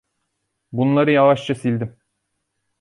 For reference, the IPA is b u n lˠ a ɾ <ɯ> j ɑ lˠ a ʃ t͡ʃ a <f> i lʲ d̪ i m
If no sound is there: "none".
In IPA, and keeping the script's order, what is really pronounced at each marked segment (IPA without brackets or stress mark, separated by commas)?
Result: ɯ, s